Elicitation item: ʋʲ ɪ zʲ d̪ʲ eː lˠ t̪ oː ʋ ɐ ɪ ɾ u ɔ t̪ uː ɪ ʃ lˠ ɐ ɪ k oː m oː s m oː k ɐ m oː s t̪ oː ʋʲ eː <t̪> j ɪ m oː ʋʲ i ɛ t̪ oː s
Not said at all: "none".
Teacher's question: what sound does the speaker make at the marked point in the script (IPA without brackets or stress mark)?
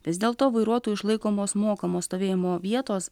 none